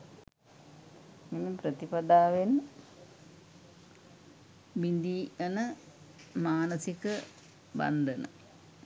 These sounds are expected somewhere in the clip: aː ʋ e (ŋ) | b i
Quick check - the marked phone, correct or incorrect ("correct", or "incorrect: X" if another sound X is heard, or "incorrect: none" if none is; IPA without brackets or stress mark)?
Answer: incorrect: n